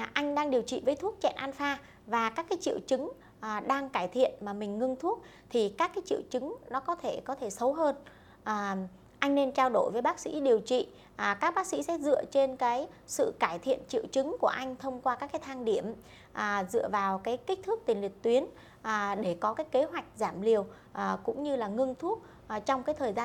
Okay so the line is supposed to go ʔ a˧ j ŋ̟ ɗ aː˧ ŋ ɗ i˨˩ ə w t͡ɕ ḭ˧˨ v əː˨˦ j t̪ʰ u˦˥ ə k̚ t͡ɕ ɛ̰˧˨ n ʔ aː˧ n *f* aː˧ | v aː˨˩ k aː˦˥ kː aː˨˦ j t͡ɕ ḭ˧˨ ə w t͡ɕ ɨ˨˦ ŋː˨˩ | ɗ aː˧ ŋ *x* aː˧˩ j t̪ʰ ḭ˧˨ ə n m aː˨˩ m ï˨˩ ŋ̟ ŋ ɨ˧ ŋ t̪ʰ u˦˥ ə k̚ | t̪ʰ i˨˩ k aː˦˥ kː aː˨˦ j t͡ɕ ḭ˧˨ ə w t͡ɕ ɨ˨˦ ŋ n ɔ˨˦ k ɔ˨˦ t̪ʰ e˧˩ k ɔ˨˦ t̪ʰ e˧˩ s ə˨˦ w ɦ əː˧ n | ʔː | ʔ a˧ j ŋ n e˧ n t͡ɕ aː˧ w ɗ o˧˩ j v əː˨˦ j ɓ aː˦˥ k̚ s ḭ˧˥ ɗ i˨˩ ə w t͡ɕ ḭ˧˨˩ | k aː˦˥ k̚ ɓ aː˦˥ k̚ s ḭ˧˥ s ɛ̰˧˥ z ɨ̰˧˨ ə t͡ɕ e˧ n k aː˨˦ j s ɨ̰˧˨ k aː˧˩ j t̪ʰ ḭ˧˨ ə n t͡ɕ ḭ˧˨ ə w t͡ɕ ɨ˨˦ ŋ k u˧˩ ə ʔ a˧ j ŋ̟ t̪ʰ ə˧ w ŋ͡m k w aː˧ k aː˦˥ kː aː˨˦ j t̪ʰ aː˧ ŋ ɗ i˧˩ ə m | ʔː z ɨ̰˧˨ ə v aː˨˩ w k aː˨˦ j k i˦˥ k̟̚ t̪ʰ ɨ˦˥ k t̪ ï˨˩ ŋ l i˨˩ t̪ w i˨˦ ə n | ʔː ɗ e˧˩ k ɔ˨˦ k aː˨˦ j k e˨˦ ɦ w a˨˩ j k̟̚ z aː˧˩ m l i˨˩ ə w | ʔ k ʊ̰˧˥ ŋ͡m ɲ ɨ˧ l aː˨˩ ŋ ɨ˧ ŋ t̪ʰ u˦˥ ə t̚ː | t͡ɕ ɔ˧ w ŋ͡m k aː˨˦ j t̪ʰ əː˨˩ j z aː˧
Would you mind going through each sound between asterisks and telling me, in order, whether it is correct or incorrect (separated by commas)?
correct, incorrect